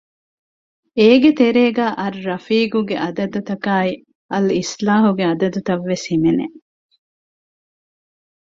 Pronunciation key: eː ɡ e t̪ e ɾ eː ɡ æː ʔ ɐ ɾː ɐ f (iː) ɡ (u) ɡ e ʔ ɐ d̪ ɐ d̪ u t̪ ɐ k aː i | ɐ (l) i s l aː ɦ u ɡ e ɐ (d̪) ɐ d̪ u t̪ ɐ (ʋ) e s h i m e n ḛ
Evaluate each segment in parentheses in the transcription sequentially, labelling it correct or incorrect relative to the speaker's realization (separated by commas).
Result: correct, correct, correct, correct, incorrect